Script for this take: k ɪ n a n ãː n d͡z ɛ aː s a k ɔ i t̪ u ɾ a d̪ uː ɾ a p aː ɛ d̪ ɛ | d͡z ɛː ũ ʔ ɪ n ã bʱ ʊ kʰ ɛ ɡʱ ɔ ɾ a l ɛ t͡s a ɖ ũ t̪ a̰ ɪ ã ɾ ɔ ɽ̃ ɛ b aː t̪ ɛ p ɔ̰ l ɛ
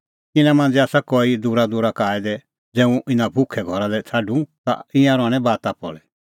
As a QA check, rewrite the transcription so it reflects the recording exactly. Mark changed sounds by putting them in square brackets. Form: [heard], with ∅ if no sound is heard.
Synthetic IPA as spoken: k ɪ n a [m] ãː n d͡z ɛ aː s a k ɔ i [d̪] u ɾ a d̪ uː ɾ a [k] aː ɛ d̪ ɛ | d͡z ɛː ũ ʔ ɪ n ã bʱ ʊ kʰ ɛ ɡʱ ɔ ɾ a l ɛ [t͡sʰ] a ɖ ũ t̪ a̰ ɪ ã ɾ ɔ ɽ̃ ɛ b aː t̪ [a] p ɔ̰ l ɛ